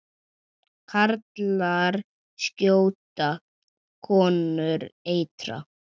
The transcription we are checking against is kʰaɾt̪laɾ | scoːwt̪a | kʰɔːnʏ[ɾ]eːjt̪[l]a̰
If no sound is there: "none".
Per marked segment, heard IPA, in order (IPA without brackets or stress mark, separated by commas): ɾ, ɾ